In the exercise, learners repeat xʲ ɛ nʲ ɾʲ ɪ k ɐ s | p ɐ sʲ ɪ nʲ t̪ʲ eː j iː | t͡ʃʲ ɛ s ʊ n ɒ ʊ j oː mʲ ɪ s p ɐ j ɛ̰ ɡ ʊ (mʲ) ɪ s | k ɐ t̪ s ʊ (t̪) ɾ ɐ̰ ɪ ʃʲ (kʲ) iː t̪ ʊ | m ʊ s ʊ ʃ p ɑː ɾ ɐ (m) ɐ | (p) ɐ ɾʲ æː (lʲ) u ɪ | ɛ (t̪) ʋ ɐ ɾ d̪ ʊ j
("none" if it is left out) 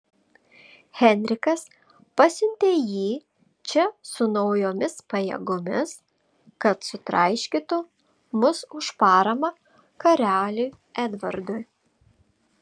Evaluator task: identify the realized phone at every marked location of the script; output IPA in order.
mʲ, t̪, kʲ, m, k, lʲ, d̪

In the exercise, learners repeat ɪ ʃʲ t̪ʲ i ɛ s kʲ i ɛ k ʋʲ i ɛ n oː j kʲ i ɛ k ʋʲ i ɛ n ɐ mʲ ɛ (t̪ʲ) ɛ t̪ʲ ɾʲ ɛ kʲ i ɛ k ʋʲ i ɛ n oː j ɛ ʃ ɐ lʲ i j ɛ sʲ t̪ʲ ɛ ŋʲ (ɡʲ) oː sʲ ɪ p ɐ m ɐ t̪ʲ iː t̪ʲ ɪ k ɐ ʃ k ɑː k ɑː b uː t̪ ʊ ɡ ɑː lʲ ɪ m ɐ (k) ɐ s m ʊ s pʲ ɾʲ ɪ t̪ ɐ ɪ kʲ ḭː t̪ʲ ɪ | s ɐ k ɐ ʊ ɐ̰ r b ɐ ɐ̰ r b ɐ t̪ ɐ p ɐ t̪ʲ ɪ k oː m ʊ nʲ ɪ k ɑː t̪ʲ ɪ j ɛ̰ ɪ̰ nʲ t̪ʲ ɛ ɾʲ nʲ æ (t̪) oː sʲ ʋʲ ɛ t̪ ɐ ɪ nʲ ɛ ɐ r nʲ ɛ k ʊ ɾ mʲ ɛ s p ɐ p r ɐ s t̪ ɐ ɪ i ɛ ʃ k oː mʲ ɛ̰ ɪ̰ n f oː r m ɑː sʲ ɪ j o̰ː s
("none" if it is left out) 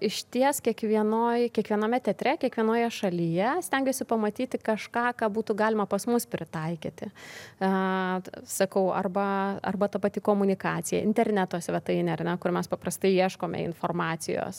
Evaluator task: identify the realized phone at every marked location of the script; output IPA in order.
t̪ʲ, ɡʲ, p, t̪

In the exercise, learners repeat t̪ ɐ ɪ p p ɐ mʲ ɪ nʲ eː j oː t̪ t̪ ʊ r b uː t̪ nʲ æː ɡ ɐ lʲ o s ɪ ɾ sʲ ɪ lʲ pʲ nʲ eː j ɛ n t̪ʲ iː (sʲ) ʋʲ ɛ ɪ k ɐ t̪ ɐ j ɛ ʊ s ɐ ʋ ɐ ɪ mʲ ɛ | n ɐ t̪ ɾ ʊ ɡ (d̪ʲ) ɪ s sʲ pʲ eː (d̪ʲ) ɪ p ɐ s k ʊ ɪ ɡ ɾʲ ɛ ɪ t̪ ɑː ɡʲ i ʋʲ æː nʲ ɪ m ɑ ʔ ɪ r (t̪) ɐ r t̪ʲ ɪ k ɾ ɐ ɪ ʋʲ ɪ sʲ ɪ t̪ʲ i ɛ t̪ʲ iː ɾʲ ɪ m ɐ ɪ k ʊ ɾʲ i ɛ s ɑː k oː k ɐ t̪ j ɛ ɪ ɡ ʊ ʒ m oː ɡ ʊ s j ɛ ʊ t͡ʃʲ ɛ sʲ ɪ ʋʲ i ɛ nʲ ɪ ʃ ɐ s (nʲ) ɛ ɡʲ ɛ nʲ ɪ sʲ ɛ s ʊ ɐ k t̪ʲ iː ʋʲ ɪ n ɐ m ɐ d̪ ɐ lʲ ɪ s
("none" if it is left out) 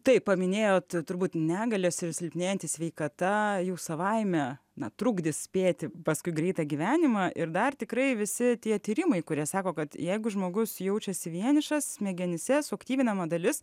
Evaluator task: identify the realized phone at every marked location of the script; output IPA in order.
sʲ, d̪ʲ, t̪ʲ, d̪, mʲ

